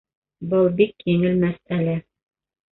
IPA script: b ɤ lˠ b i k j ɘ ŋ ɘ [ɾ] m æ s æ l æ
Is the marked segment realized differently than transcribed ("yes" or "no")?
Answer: yes